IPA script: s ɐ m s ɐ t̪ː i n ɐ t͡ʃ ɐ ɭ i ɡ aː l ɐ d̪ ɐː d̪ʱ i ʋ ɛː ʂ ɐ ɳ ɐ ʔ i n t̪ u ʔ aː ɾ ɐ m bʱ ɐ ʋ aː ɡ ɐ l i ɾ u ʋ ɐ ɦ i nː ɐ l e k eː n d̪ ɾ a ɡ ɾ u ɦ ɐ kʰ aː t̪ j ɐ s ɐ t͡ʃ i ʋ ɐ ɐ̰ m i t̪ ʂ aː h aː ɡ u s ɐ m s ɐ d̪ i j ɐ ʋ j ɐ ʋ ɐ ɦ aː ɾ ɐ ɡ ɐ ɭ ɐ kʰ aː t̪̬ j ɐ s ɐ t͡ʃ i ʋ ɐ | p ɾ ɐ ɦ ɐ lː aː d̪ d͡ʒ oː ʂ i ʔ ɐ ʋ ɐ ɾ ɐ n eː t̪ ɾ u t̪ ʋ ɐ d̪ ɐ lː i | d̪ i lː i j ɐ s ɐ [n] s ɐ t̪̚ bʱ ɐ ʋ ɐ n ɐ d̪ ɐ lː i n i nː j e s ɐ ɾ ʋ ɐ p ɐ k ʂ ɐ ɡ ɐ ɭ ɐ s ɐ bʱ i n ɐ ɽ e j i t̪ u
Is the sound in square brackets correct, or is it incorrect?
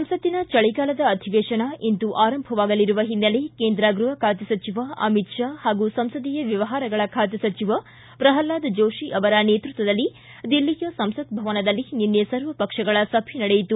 incorrect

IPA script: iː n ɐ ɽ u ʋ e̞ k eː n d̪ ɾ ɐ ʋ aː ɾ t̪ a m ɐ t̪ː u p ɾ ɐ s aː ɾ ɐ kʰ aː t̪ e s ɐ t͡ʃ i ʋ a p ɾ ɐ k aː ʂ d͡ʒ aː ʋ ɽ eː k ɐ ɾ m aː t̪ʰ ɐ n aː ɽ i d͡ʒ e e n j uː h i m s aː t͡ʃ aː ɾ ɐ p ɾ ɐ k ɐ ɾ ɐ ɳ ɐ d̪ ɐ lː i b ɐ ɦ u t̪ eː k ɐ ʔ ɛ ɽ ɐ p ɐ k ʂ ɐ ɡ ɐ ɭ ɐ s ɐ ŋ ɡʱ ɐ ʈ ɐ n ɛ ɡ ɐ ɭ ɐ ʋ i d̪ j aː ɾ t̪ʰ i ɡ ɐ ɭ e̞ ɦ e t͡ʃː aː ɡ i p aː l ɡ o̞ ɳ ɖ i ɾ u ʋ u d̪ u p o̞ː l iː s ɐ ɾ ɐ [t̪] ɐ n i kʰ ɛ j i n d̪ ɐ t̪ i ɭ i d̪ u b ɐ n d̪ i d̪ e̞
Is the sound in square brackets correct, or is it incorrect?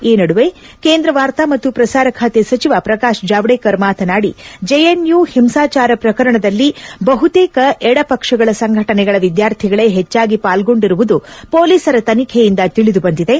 correct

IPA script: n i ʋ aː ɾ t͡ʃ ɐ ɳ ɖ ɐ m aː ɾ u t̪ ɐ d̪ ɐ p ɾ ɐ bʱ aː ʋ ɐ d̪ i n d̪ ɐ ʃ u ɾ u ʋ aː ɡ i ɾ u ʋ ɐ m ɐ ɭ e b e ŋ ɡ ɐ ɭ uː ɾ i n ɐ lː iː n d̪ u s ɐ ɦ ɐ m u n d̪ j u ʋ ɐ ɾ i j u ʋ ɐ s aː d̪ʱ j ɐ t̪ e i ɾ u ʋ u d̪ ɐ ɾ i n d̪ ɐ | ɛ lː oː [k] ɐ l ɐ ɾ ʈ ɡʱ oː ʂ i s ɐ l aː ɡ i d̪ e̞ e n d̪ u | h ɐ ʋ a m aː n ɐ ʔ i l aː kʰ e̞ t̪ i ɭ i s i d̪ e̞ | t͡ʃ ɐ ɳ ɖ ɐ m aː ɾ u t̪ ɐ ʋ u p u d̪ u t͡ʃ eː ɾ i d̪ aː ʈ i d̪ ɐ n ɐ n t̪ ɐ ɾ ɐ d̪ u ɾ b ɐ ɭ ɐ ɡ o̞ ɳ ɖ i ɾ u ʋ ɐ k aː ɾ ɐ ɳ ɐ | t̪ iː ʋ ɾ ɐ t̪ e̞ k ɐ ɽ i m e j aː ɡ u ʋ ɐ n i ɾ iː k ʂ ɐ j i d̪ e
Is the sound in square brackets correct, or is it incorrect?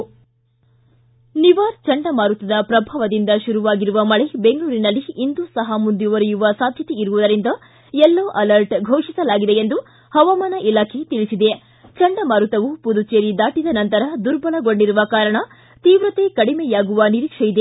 incorrect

